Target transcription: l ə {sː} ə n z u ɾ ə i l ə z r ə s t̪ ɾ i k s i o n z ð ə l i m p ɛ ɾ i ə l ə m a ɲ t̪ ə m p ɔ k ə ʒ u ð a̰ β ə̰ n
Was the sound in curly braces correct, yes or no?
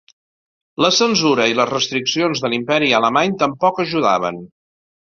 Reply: no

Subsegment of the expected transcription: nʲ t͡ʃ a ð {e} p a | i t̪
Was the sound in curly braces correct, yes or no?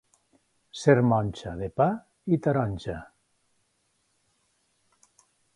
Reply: yes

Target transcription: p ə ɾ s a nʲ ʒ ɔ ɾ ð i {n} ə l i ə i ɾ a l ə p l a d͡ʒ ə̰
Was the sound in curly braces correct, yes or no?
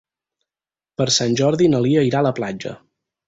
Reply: yes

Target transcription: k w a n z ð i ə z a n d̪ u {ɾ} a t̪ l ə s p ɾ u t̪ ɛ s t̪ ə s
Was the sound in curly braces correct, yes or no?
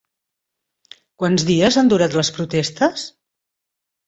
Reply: yes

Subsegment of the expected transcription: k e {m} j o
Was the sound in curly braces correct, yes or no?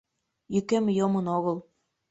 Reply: yes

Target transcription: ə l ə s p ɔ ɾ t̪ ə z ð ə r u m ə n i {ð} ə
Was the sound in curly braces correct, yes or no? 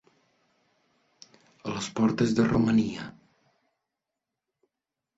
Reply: no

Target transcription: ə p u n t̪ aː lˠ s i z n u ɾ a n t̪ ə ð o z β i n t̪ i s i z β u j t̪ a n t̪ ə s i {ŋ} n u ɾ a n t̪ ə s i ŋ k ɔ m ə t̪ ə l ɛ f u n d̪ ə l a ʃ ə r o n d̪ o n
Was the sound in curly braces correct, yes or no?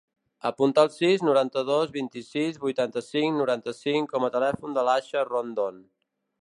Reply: yes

